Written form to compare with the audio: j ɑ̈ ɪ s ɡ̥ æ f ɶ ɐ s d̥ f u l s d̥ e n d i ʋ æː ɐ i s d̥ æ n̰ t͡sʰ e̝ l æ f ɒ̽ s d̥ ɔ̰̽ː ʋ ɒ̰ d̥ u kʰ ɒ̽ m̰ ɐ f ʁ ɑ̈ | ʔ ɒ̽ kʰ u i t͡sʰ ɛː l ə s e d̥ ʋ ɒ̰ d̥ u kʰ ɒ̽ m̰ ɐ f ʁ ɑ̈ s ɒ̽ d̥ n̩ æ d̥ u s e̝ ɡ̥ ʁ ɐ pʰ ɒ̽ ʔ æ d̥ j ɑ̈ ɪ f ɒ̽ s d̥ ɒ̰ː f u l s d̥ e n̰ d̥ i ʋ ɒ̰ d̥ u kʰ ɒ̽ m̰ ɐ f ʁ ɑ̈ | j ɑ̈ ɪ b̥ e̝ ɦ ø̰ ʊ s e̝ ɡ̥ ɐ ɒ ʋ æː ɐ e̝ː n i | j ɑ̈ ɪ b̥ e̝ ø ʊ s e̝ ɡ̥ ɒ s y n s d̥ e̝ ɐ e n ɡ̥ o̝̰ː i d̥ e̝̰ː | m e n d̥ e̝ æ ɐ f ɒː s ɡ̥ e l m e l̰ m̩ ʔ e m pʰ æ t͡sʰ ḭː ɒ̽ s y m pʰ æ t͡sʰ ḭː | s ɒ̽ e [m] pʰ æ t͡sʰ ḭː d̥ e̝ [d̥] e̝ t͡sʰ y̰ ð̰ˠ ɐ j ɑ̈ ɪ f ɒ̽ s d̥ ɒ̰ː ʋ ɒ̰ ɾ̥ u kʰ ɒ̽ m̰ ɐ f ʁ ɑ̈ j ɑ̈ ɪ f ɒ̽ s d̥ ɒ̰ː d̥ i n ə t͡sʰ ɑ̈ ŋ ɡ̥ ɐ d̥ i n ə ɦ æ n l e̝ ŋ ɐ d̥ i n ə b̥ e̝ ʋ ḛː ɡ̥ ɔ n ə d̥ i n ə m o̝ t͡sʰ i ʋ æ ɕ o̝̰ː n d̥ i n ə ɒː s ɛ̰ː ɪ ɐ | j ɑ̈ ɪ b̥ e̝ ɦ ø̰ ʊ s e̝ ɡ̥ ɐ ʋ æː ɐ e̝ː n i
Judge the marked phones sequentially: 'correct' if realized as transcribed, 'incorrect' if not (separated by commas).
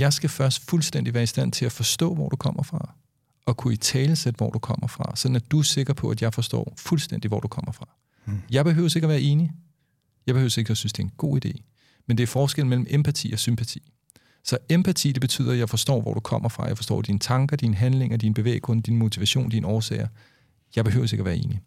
correct, incorrect